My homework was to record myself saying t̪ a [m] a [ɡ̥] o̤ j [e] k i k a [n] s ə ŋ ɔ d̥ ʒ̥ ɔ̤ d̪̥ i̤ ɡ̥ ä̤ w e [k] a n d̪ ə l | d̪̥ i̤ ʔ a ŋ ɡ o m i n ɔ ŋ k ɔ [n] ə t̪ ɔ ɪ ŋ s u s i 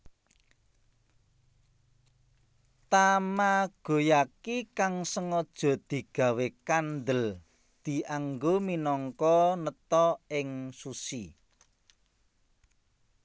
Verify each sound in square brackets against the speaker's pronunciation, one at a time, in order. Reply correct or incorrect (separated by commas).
correct, correct, incorrect, incorrect, correct, correct